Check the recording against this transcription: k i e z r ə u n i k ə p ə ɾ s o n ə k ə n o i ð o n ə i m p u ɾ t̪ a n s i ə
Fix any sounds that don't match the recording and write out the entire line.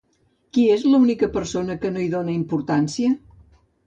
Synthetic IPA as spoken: k i e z l ə u n i k ə p ə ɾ s o n ə k ə n o i ð o n ə i m p u ɾ t̪ a n s i ə